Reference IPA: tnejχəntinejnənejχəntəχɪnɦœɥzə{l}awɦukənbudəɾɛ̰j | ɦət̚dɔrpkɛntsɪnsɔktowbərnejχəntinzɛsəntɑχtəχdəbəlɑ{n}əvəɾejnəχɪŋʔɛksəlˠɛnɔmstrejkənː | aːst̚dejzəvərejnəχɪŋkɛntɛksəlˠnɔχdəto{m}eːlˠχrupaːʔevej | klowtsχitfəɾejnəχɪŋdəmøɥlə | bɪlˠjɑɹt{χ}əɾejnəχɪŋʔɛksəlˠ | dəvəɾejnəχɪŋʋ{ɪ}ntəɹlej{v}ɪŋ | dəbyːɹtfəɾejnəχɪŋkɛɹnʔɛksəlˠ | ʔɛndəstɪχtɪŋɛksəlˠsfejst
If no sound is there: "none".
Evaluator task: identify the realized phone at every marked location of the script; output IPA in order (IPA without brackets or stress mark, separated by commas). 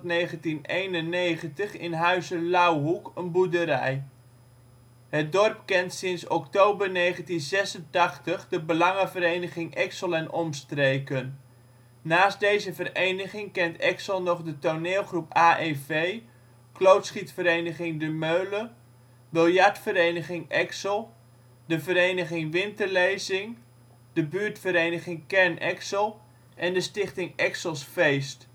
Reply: l, ŋ, n, f, ɪ, z